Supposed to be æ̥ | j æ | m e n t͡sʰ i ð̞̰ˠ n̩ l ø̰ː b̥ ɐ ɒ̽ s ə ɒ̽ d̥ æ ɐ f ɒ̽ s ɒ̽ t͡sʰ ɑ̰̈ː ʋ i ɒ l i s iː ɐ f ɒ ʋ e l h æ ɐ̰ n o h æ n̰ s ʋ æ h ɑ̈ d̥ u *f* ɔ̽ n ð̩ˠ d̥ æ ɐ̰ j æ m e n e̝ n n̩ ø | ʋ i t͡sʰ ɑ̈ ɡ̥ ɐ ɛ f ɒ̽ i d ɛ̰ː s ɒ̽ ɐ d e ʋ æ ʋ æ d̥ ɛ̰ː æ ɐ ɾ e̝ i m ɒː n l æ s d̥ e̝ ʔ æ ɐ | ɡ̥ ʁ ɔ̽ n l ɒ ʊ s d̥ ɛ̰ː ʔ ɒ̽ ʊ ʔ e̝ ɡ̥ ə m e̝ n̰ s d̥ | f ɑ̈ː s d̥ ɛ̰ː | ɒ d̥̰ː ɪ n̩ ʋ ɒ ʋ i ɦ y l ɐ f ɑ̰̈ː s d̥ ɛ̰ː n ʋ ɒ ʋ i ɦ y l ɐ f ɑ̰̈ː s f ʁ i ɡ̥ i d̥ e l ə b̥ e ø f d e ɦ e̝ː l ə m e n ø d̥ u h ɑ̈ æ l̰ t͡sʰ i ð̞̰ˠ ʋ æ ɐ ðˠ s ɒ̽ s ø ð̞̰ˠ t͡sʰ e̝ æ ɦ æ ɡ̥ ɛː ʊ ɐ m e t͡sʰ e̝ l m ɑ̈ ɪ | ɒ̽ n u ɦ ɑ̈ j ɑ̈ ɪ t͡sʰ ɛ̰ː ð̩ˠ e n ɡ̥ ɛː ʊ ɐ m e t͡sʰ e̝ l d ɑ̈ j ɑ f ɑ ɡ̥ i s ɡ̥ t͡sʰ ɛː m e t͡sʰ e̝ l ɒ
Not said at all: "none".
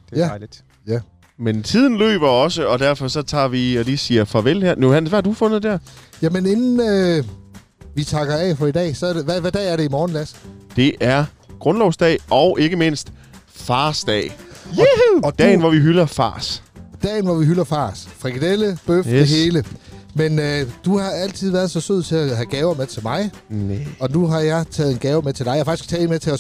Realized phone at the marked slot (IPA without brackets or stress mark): f